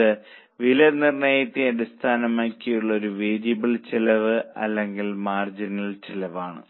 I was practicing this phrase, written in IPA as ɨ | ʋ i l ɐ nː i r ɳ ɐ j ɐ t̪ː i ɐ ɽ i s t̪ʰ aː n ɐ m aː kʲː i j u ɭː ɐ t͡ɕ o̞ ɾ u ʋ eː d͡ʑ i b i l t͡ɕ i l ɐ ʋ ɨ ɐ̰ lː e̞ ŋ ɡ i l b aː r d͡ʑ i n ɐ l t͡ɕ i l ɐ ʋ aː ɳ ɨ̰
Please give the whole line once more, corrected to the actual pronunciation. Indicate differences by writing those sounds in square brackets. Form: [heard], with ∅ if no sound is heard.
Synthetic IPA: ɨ | ʋ i l ɐ [n] i r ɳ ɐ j ɐ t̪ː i ɐ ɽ i s t̪ʰ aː n ɐ m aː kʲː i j u ɭː ɐ [∅] o̞ ɾ u ʋ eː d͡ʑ i b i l t͡ɕ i l ɐ ʋ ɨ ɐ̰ lː e̞ ŋ ɡ i l [m] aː r d͡ʑ i n ɐ l t͡ɕ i l ɐ ʋ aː ɳ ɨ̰